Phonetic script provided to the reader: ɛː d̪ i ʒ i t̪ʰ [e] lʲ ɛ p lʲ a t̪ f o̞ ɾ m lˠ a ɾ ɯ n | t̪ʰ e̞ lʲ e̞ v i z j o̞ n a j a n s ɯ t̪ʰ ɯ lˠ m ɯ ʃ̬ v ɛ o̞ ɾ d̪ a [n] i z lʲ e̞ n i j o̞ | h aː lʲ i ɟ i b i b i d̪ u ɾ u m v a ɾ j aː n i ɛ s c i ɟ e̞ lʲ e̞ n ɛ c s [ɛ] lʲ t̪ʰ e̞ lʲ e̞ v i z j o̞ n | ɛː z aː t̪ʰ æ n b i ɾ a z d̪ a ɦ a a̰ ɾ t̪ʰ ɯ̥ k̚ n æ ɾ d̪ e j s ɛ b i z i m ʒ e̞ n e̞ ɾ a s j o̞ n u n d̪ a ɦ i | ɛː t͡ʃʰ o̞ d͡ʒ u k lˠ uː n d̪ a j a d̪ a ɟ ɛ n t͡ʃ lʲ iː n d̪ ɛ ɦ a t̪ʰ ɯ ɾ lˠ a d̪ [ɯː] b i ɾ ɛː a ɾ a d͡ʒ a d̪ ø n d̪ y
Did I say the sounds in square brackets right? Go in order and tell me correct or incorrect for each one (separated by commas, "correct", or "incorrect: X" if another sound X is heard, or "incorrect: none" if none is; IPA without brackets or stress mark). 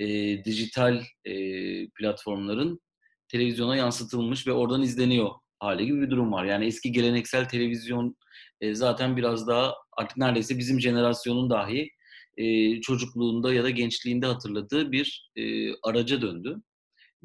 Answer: incorrect: a, correct, incorrect: æ, correct